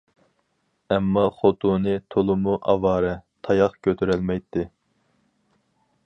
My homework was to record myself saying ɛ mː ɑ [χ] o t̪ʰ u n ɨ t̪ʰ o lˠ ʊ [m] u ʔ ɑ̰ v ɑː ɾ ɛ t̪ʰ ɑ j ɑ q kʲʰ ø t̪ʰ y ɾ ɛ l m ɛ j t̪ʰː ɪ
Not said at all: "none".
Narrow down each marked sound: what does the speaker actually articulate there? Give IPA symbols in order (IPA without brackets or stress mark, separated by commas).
χ, m